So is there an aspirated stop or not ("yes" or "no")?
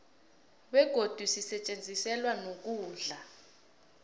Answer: no